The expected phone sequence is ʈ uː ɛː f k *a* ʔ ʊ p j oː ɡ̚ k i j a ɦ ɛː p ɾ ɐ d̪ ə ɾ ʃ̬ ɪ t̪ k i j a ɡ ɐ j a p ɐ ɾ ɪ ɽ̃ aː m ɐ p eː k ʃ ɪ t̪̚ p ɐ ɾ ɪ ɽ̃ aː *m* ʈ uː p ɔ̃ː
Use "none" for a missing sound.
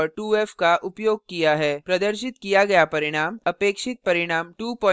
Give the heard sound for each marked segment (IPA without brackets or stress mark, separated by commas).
a, m